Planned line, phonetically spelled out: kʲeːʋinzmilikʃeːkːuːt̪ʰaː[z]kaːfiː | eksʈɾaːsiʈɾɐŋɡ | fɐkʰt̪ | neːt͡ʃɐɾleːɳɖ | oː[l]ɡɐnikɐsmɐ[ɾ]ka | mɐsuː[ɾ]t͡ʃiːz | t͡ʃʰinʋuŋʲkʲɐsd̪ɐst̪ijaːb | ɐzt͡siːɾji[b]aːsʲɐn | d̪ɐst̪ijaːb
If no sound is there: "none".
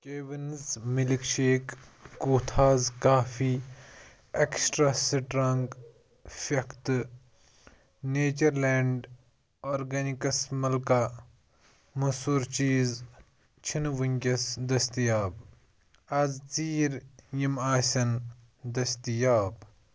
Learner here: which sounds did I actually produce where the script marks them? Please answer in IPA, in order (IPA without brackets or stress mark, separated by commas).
z, ɾ, l, ɾ, m